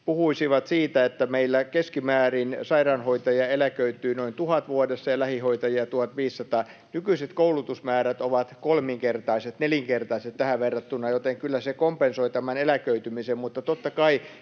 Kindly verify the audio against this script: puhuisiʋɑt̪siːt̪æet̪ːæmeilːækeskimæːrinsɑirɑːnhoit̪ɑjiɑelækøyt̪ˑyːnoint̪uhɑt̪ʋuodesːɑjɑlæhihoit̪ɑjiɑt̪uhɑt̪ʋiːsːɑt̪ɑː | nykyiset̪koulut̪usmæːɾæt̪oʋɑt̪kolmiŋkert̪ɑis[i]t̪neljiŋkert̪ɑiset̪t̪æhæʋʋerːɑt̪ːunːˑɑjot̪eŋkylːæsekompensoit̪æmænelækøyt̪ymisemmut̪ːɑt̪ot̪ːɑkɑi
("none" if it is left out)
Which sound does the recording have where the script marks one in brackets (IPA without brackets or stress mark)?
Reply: e